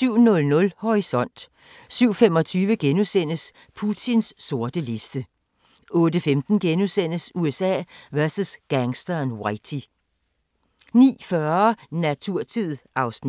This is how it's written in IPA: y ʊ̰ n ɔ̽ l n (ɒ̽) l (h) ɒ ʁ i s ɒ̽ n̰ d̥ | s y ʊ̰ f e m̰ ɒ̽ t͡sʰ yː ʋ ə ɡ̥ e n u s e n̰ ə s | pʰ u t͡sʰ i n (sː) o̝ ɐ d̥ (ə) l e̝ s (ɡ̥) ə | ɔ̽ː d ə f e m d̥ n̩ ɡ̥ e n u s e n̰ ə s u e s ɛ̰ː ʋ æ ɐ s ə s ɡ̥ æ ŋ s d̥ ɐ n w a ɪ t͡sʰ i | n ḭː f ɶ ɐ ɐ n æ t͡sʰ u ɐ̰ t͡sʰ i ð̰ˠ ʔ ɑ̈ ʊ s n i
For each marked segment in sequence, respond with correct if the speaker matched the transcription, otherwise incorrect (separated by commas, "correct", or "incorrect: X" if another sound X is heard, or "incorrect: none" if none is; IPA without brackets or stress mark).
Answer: incorrect: ɔ̽, correct, correct, correct, incorrect: d̥